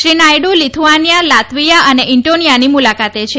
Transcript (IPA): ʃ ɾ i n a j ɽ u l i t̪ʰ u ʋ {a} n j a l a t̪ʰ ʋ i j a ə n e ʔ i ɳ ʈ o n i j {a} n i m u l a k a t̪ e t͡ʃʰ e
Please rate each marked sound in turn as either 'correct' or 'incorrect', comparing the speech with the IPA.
correct, correct

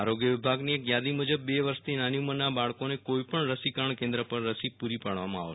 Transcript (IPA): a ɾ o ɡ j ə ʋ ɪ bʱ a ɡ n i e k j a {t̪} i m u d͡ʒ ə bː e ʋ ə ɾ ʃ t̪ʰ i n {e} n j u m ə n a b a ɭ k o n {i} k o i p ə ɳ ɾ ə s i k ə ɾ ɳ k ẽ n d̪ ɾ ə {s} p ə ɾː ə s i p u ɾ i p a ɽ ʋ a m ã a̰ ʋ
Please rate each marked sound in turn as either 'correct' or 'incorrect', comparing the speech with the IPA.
incorrect: d̪, incorrect: a, incorrect: e, incorrect: none

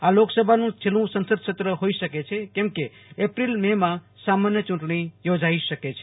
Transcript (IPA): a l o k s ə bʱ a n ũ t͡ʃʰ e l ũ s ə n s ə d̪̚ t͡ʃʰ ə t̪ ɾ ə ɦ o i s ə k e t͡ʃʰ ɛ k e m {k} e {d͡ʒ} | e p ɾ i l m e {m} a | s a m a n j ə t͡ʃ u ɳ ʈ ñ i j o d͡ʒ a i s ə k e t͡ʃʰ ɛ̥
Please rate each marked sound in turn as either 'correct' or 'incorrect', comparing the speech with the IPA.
correct, incorrect: none, correct

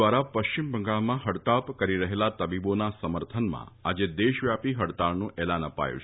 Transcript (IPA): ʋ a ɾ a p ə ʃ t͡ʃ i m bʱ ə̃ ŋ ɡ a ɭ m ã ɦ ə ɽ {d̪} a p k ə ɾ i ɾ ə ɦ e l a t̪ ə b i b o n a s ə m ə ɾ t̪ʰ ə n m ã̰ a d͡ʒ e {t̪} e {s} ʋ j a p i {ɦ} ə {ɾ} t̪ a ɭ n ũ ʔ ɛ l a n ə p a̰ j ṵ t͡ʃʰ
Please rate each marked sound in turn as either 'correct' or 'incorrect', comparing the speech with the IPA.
incorrect: t̪, incorrect: d̪, incorrect: ʃ, correct, incorrect: ɽ

